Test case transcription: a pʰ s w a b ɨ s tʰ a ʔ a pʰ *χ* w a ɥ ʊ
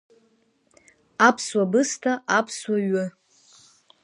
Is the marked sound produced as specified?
no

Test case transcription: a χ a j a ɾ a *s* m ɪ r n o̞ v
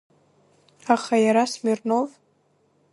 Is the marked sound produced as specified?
yes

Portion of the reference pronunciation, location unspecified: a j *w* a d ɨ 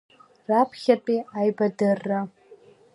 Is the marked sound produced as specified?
no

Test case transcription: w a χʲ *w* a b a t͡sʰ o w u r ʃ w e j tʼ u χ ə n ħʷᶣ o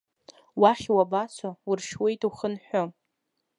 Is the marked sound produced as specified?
yes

